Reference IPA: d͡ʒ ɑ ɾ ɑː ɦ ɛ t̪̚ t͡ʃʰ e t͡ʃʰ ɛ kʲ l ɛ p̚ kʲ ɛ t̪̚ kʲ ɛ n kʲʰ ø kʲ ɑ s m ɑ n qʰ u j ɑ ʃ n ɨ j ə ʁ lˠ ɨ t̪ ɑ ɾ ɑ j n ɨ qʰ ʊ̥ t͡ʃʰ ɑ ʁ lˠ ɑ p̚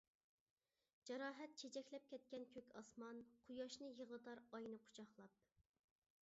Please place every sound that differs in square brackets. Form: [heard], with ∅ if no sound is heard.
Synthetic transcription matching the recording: d͡ʒ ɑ ɾ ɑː ɦ ɛ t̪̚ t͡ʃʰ e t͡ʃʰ ɛ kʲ l ɛ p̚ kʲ ɛ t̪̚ kʲ ɛ n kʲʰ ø kʲ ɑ s m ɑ n qʰ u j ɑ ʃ n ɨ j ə ʁ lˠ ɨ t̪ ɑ ɾ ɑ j n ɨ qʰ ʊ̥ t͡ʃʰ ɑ [χ] lˠ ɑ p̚